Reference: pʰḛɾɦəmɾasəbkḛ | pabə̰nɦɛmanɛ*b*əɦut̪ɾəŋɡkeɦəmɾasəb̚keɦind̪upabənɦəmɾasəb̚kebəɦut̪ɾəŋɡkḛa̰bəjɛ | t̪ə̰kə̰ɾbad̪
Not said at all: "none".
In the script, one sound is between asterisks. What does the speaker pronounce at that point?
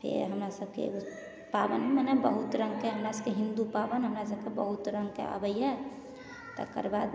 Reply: b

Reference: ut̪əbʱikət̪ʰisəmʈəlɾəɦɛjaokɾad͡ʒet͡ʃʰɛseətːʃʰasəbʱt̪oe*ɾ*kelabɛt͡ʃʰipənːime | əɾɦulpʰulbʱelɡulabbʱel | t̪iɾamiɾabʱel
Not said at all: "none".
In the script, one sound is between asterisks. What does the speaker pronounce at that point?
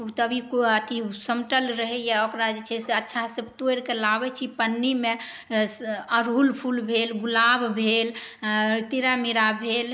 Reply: ɾ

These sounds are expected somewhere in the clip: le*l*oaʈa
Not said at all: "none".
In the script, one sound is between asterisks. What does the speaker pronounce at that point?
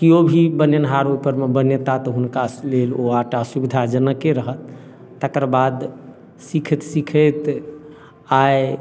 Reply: l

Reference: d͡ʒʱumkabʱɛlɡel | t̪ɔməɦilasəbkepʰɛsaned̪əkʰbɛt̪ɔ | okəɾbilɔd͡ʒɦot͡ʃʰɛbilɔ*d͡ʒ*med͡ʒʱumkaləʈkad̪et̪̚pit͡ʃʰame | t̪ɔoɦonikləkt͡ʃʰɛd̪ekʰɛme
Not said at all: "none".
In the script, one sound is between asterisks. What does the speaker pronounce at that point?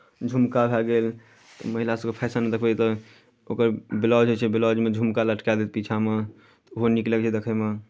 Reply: d͡ʒ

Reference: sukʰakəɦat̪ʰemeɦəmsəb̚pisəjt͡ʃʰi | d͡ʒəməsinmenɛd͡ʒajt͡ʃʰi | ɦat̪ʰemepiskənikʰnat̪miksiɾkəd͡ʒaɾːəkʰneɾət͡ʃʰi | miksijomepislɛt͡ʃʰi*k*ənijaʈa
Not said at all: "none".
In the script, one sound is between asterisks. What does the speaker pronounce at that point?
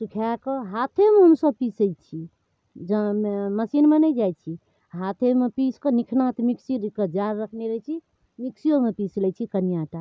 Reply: k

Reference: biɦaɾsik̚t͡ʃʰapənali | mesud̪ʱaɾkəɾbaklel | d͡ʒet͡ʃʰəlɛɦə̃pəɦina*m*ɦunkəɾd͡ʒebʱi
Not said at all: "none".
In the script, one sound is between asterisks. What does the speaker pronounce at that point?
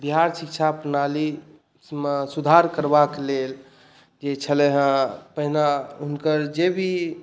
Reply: none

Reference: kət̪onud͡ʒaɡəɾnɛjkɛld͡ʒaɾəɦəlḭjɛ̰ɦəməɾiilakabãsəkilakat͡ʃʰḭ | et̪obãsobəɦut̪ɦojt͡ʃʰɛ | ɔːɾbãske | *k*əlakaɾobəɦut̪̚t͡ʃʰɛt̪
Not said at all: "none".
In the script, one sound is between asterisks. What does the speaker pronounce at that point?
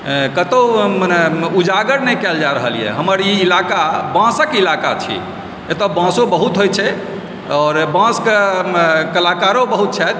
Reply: k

